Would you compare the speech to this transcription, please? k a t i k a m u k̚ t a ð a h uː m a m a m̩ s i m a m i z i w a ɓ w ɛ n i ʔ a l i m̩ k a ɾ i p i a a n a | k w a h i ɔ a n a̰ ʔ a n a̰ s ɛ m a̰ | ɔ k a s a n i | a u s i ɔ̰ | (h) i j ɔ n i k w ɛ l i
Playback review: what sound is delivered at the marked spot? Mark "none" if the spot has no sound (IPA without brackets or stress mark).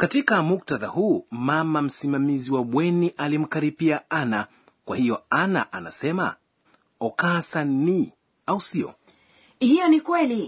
h